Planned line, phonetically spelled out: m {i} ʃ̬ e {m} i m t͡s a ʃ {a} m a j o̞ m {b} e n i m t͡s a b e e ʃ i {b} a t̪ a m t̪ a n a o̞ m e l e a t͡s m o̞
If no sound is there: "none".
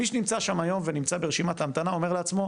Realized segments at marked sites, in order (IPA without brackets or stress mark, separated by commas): i, n, a, v, m